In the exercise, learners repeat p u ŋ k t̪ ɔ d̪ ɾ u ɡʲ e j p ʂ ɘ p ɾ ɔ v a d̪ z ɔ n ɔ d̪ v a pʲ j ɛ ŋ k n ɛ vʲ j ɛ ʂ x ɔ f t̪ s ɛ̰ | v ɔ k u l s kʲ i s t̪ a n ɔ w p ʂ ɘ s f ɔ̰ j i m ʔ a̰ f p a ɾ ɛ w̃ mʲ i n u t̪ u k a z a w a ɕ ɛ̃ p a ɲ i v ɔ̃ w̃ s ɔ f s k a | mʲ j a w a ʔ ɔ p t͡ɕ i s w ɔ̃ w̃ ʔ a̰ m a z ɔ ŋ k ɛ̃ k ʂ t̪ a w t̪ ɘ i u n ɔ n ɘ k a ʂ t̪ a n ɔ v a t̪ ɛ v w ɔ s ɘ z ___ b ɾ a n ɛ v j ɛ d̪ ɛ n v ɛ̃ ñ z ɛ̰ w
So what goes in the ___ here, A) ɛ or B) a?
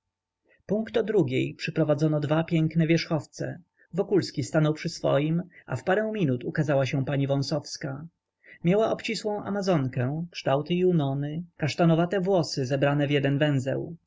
A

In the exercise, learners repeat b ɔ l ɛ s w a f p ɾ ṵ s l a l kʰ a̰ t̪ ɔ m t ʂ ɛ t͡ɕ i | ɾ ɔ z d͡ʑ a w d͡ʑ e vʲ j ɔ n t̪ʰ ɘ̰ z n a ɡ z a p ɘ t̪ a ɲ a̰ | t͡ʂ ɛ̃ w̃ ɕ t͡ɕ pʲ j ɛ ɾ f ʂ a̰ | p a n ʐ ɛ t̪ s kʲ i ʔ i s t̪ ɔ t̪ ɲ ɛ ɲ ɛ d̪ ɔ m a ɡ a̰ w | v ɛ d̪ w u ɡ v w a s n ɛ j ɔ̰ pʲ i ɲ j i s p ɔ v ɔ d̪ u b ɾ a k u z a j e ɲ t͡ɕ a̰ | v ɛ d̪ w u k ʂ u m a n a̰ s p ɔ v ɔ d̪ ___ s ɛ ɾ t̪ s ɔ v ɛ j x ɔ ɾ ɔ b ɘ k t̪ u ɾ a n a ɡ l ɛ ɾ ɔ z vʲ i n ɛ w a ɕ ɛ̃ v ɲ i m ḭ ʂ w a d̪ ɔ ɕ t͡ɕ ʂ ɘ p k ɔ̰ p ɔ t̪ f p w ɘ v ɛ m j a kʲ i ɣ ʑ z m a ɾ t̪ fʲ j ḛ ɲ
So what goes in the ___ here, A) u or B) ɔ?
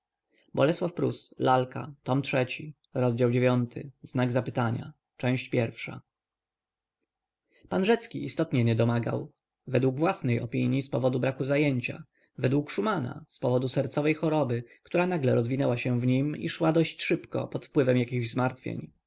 A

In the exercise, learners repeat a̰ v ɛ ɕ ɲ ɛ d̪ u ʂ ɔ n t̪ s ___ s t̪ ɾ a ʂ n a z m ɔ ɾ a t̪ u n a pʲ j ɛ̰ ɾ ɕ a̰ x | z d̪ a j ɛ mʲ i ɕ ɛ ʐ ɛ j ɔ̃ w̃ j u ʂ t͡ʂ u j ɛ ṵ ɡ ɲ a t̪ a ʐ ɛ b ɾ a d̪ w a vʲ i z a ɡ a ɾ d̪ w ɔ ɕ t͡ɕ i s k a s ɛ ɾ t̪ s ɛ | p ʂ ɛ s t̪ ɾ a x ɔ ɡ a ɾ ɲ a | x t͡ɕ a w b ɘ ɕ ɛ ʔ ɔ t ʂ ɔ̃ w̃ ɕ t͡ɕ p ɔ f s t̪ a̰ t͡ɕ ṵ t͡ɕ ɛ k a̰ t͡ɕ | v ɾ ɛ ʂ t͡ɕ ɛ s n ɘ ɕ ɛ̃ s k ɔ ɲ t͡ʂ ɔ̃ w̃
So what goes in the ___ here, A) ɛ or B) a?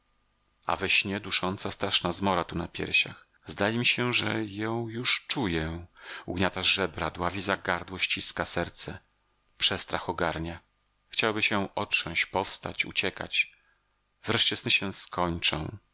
B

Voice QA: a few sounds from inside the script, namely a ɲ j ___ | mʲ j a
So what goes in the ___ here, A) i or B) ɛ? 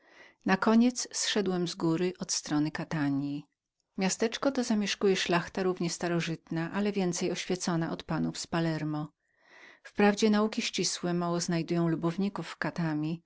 A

